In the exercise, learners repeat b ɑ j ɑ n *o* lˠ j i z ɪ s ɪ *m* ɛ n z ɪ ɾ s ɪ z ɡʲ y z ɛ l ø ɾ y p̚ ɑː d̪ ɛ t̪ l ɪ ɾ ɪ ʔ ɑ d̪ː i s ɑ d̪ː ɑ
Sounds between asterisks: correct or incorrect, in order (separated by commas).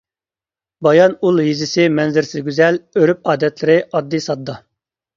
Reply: incorrect, correct